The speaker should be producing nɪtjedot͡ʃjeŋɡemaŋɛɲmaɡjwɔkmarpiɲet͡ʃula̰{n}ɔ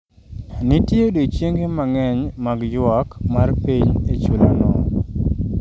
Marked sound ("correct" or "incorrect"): correct